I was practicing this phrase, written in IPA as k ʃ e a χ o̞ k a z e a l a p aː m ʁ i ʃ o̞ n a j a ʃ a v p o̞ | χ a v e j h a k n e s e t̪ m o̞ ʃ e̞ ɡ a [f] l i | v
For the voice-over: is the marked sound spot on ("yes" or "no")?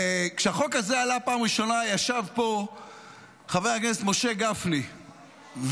yes